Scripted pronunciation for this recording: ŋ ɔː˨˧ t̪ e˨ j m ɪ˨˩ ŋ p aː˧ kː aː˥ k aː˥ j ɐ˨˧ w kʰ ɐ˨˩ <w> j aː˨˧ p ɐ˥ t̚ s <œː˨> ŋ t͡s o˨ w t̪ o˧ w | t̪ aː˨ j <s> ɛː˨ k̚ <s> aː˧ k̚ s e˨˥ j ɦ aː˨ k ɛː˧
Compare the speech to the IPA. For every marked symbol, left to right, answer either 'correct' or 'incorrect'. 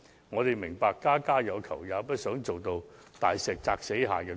correct, incorrect, correct, incorrect

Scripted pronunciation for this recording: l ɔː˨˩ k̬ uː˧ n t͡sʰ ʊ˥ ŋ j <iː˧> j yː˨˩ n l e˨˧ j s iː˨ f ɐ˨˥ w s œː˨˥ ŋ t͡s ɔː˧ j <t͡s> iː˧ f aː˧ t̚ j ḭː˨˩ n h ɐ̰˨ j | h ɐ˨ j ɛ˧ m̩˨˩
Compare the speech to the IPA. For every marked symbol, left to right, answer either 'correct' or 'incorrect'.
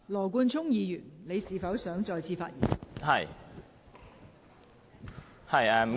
correct, incorrect

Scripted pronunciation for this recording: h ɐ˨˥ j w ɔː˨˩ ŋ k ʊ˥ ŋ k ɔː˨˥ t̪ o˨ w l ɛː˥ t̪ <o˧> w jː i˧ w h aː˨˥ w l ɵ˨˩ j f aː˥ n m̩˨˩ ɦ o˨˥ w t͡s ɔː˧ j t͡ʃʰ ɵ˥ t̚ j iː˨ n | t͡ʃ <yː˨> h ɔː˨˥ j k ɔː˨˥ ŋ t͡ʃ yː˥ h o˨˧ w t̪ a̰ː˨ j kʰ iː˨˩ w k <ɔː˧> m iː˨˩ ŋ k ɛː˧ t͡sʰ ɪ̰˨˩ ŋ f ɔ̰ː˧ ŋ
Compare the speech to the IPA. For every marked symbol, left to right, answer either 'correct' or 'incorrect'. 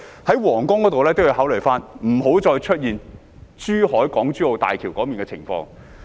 incorrect, incorrect, incorrect

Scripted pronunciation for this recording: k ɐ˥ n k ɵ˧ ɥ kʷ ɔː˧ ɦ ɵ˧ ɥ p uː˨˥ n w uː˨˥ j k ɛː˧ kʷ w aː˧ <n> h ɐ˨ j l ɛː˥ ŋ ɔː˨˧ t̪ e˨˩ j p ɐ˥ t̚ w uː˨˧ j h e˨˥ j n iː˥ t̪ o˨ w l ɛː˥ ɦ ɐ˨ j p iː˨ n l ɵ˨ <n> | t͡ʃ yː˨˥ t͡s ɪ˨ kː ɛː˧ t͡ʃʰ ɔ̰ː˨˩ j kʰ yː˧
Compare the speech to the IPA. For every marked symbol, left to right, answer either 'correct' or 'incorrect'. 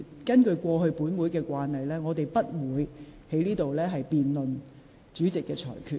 correct, correct

